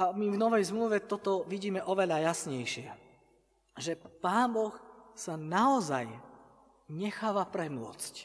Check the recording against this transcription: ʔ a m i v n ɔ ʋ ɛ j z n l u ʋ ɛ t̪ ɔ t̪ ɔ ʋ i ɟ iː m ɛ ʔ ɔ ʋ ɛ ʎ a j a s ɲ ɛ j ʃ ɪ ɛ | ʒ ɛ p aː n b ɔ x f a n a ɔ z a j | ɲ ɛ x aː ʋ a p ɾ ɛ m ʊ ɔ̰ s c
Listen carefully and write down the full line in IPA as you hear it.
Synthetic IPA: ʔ a m i v n ɔ ʋ ɛ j z m l u ʋ ɛ t̪ ɔ t̪ ɔ ʋ i ɟ iː m ɛ ʔ ɔ ʋ ɛ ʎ a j a s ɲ ɛ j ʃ ɪ ɛ | ʒ ɛ p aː n b ɔ x s a n a ɔ z a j | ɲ ɛ x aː ʋ a p ɾ ɛ m ʊ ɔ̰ t͡s c